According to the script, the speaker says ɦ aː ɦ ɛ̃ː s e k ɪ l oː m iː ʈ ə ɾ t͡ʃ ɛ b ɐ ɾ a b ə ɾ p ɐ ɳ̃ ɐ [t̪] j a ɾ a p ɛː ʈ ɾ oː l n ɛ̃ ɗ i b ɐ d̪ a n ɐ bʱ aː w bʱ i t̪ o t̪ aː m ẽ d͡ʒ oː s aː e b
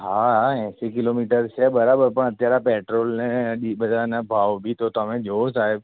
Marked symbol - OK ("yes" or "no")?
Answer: yes